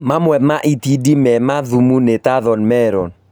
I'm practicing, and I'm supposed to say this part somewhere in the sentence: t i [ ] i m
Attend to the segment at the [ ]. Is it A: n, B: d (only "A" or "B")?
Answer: B